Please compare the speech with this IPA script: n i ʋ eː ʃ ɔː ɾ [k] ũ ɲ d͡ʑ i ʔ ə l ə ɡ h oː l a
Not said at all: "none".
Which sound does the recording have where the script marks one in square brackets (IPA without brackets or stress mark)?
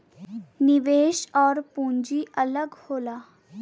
p